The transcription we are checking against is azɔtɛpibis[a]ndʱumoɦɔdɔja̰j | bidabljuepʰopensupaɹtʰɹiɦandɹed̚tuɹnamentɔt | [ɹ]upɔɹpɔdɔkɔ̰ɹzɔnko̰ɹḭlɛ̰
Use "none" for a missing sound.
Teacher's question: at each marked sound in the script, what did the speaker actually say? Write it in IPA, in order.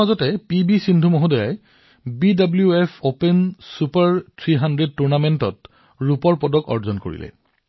i, ɹ

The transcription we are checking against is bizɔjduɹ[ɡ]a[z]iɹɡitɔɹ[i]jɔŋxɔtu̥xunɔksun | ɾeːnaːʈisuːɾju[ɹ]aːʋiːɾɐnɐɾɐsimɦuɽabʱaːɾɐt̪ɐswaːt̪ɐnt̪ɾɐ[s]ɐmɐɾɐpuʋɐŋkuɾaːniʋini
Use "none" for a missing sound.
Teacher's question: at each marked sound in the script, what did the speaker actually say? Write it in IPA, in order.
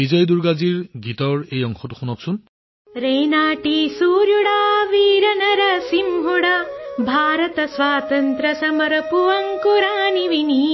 ɡ, z, e, ɽ, s

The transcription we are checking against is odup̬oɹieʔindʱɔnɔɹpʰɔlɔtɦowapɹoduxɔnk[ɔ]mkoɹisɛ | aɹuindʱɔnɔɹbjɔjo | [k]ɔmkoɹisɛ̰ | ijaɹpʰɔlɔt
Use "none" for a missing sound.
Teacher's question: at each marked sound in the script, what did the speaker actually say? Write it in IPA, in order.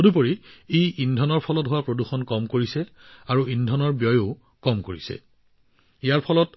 ɔ, k

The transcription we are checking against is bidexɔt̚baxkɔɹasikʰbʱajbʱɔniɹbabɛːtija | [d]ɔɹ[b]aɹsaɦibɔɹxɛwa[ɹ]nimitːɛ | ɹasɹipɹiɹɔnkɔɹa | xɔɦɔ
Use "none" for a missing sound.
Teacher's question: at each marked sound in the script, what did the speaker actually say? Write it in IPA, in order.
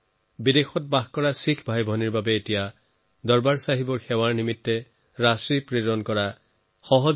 d, b, ɹ

